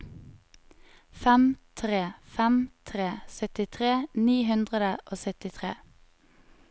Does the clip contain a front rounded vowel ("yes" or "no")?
yes